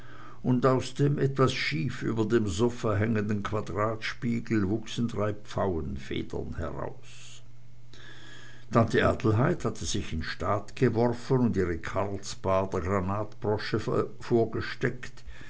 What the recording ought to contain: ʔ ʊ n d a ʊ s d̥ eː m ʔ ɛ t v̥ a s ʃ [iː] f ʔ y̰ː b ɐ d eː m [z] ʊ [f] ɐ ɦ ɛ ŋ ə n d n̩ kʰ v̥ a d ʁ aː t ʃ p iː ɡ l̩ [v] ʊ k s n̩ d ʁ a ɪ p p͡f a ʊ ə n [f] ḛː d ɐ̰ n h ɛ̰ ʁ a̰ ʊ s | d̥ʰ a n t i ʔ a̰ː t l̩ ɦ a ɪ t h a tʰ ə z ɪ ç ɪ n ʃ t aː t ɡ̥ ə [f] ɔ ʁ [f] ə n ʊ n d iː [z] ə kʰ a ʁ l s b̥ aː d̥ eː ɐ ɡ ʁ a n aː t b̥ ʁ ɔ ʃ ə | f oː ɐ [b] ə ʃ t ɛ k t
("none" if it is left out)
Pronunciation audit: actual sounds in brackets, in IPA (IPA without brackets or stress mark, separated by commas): iː, z, f, v, f, v, f, ʁ, ɡ